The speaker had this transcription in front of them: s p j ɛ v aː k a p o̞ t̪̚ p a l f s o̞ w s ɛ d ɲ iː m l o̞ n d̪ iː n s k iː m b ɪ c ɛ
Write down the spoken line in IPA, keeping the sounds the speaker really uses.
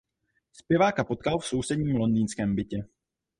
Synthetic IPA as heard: s p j ɛ v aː k a p o̞ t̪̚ k a l f s o̞ w s ɛ d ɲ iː m l o̞ n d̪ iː n s k ɛː m b ɪ c ɛ

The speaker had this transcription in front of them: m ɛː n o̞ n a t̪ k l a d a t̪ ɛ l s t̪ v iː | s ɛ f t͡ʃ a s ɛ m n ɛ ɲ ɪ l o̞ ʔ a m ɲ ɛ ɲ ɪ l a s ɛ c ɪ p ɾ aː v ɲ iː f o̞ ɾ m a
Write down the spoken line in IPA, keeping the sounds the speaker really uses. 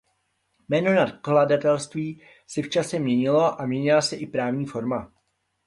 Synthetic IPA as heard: m ɛː n o̞ n a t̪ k l a d a t̪ ɛ l s t̪ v iː | s ɛ f t͡ʃ a s ɛ m ɲ ɛ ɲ ɪ l o̞ ʔ a m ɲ ɛ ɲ ɪ l a s ɛ ʔ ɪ p ɾ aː v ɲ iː f o̞ ɾ m a

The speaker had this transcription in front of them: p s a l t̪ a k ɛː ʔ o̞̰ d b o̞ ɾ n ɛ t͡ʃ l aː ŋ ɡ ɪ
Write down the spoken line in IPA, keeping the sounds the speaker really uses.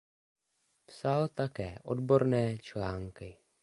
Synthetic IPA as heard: p s a l t̪ a k ɛː ʔ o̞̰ d b o̞ ɾ n ɛː t͡ʃ l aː ŋ k ɪ

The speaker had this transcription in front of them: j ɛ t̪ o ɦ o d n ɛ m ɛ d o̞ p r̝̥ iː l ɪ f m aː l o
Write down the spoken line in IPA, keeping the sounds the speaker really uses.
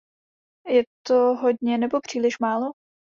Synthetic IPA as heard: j ɛ t̪ o ɦ o d ɲ ɛ n ɛ b o̞ p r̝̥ iː l ɪ ʃ m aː l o

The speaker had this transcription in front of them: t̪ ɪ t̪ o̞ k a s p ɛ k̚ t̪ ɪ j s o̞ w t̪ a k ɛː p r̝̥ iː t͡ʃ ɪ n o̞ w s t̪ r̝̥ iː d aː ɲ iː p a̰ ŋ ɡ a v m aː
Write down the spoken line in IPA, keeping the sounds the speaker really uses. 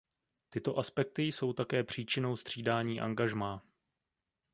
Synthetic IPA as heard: t̪ ɪ t̪ o̞ ʔ a s p ɛ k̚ t̪ ɪ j s o̞ w t̪ a k ɛː p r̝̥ iː t͡ʃ ɪ n o̞ w s t̪ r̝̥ iː d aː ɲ iː ʔ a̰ ŋ ɡ a ʒ m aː

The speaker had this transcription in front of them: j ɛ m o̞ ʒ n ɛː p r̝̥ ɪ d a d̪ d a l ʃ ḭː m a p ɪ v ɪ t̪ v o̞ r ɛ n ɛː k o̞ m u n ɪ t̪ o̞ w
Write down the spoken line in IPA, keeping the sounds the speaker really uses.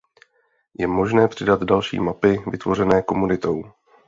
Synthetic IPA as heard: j ɛ m o̞ ʒ n ɛː p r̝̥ ɪ d a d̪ d a l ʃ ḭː m a p ɪ v ɪ t̪ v o̞ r ɛ n ɛː k o̞ m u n ɪ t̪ o̞ w

